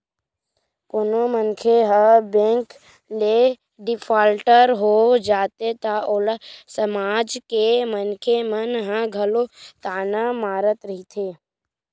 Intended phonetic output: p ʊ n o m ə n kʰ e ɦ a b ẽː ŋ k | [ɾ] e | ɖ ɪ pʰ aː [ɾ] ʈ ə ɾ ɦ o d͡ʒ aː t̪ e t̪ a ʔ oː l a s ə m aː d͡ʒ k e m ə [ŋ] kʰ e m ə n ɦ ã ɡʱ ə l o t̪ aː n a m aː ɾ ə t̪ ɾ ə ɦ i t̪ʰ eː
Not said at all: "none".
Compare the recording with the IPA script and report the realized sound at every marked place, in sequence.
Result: l, l, n

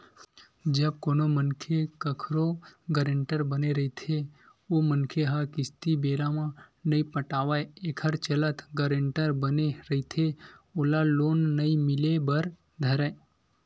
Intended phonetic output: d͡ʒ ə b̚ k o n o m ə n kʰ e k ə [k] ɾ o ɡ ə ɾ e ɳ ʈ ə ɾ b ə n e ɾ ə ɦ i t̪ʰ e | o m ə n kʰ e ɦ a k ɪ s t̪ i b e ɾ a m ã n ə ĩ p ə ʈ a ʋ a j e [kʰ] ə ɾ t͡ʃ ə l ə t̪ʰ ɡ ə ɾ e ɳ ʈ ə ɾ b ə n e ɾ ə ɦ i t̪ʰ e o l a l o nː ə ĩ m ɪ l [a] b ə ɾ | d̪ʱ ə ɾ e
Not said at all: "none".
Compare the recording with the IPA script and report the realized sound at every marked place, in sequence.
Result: kʰ, kʰ, e

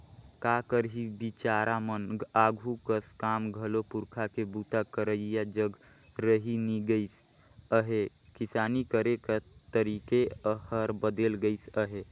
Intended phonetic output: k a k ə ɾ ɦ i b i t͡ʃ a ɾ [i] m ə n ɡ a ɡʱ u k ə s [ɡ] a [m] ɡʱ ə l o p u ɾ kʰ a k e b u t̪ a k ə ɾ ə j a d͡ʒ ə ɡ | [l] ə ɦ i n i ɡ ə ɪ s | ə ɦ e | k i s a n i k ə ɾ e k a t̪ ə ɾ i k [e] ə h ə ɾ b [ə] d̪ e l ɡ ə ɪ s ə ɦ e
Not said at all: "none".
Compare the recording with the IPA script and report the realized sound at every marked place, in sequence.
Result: a, k, m, ɾ, e, ə

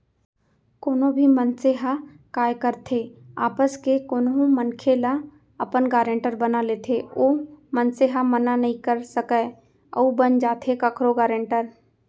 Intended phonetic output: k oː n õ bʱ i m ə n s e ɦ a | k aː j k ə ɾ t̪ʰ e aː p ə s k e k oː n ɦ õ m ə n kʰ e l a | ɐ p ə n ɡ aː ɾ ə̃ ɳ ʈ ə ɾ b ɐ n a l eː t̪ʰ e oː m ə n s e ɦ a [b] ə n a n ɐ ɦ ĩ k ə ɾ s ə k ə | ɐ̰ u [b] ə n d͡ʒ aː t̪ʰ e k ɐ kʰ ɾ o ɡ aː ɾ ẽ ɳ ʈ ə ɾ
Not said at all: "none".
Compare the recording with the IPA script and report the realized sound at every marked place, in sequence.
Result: m, b

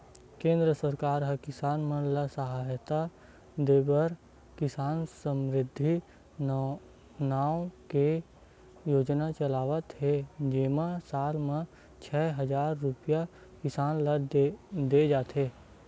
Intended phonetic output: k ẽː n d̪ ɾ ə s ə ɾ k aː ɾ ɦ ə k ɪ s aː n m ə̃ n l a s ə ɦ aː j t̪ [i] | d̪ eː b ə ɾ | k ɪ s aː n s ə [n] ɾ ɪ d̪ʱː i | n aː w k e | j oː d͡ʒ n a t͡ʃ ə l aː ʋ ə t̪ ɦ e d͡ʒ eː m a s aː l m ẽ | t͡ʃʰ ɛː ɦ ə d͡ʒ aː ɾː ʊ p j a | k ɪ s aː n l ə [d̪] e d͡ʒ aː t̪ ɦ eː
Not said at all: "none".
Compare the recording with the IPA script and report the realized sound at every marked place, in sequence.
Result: a, m, d̪

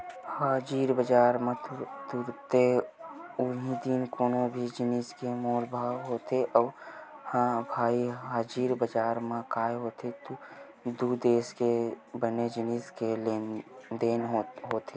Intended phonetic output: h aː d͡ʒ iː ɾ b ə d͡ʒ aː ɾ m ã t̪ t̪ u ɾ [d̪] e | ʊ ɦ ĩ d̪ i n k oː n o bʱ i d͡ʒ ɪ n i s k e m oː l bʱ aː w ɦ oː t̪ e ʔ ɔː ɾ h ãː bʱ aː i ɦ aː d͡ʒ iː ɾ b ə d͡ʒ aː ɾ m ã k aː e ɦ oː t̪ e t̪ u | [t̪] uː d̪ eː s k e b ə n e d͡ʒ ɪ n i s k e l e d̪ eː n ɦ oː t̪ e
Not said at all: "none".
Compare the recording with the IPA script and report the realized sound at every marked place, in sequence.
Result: t̪, d̪

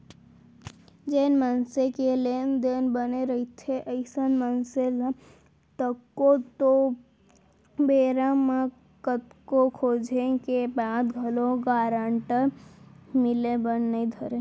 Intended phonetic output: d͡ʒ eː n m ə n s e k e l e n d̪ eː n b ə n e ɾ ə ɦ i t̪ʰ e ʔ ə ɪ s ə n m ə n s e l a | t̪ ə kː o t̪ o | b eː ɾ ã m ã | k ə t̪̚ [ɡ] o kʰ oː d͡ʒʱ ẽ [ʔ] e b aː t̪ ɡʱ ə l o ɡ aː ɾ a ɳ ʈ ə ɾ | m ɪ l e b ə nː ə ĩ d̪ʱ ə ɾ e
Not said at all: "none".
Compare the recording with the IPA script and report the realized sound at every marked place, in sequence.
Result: k, k

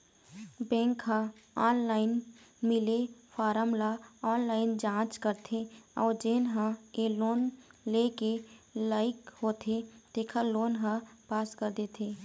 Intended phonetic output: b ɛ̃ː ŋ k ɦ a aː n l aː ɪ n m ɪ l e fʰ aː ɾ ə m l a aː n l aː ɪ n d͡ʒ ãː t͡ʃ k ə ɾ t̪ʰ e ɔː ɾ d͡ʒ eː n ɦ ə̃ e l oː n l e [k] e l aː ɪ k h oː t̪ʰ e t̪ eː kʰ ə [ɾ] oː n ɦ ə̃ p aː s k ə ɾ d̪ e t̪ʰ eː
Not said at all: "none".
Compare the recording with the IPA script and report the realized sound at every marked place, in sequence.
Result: k, l

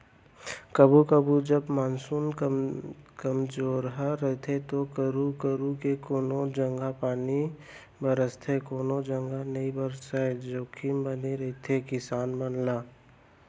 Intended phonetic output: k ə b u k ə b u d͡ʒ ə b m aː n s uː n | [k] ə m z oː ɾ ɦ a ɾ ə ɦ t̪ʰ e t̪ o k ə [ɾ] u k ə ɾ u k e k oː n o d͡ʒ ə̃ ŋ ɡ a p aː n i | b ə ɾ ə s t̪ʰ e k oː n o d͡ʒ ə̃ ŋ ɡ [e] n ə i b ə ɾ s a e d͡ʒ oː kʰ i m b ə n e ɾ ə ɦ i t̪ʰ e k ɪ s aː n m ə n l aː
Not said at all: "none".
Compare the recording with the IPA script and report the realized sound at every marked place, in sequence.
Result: k, ɾ, a

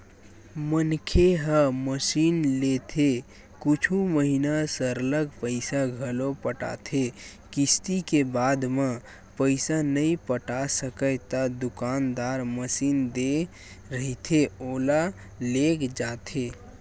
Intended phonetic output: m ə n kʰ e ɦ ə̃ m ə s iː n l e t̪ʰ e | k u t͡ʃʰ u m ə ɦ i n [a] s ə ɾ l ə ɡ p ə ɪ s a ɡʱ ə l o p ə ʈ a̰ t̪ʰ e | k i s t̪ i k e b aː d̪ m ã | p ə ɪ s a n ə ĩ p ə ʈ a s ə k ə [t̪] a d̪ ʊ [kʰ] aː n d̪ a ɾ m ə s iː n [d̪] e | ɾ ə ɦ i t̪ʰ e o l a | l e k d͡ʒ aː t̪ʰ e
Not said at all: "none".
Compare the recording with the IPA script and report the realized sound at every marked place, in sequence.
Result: a, t̪, k, d̪

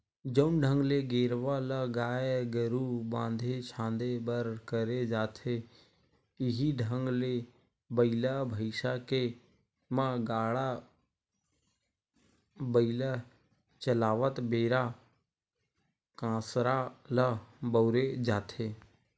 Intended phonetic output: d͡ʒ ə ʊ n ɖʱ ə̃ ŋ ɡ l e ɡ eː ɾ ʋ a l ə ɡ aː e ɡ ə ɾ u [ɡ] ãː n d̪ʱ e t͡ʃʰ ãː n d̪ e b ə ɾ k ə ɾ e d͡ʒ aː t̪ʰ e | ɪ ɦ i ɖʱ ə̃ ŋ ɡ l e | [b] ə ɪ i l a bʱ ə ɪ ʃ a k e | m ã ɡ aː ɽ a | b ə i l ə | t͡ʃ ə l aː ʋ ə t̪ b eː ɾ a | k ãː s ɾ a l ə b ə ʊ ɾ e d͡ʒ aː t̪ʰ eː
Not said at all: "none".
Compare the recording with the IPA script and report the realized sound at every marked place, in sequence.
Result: b, b

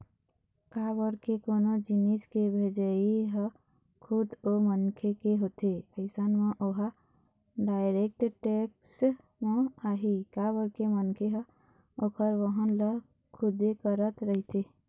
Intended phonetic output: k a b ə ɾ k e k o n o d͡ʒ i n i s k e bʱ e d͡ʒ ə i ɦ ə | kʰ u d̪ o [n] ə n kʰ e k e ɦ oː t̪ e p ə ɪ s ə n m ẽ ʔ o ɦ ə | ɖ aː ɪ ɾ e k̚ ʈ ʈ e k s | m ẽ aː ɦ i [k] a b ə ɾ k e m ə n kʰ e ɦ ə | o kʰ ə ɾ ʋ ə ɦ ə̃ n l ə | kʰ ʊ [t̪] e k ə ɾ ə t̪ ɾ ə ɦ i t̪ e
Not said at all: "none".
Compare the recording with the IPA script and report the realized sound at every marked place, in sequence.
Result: m, k, d̪

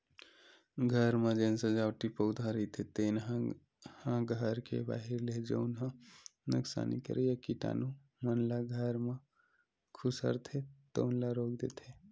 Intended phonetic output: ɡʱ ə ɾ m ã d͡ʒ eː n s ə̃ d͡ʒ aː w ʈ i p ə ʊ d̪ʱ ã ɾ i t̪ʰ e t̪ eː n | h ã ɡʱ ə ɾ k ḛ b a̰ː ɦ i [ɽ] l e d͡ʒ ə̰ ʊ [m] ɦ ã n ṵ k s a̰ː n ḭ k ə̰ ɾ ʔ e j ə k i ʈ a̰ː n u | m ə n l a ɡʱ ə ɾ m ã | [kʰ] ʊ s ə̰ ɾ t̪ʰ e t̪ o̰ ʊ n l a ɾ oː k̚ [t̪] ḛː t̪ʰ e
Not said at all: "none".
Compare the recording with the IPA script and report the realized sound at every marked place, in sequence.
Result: ɾ, n, kʰ, d̪

